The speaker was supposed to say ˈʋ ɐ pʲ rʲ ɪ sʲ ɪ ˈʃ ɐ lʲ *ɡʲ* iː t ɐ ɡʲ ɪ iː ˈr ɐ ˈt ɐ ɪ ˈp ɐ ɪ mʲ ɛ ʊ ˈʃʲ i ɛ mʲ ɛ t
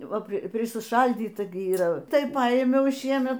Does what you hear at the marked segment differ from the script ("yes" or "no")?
yes